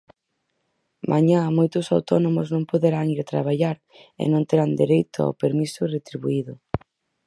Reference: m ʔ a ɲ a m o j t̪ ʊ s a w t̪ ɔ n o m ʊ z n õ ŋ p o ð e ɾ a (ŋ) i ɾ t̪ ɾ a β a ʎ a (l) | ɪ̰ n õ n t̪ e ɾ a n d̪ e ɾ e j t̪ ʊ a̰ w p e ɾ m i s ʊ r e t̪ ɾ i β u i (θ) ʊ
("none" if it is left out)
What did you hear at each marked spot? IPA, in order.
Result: ŋ, ɾ, ð

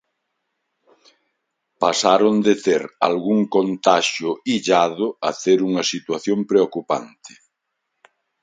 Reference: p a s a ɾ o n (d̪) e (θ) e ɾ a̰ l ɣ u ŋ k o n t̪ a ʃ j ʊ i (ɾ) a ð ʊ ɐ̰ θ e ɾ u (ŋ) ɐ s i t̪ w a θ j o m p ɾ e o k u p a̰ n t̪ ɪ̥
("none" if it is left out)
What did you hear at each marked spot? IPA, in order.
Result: d̪, θ, ʎ, ŋ

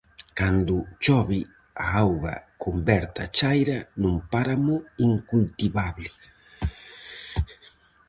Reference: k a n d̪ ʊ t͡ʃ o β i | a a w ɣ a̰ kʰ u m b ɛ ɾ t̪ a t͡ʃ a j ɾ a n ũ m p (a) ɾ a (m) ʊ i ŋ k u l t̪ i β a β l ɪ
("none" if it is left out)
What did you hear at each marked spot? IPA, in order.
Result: a, m

